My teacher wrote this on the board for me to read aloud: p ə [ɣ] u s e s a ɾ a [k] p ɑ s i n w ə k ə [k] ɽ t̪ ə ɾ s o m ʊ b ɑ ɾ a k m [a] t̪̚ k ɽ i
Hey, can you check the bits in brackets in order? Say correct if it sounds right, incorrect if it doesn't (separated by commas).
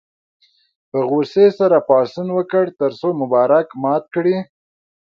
correct, incorrect, incorrect, incorrect